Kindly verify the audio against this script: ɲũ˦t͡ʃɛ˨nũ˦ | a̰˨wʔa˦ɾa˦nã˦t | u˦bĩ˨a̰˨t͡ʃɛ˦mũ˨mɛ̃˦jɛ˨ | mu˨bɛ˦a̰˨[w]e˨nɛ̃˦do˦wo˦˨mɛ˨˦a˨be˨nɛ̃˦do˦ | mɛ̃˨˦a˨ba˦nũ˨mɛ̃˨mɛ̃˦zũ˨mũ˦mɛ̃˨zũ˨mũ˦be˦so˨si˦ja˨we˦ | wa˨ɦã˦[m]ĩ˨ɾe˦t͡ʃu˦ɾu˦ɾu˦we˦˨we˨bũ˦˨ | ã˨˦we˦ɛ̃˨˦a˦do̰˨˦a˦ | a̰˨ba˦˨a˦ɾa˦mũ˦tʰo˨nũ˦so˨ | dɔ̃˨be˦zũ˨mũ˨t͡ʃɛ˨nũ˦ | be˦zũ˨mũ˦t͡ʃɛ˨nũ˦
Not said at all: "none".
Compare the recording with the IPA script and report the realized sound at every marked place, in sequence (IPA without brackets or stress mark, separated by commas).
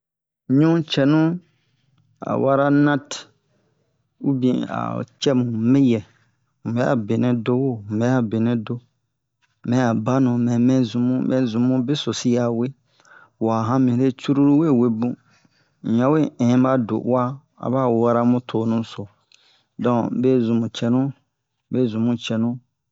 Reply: b, m